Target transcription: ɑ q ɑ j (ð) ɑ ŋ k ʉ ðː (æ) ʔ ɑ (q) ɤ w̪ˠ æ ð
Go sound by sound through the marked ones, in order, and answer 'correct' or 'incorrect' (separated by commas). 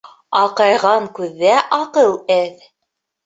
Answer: incorrect, correct, correct